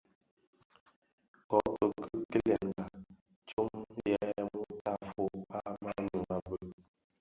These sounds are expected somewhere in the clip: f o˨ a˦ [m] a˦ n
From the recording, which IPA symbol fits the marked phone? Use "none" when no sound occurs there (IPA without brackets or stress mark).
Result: m